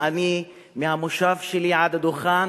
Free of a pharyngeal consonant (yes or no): no